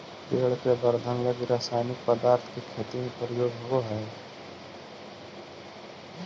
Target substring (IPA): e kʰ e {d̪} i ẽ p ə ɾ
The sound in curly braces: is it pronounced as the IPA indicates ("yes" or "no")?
no